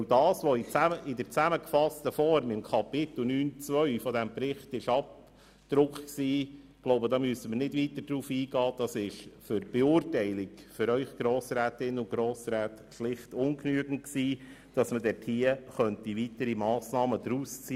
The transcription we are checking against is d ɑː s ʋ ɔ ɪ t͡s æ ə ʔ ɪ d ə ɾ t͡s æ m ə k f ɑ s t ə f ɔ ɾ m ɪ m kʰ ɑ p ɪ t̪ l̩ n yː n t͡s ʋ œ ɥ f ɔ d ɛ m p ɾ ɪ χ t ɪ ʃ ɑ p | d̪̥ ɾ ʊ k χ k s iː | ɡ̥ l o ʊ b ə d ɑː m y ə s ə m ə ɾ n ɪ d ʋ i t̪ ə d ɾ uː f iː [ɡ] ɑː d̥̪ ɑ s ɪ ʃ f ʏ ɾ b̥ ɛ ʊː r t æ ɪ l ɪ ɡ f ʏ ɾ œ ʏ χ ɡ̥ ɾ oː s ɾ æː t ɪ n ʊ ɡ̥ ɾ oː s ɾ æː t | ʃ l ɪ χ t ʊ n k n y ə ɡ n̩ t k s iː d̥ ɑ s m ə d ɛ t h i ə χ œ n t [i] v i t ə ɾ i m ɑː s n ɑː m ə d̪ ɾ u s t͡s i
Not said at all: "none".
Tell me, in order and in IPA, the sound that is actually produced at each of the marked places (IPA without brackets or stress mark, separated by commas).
ɡ, i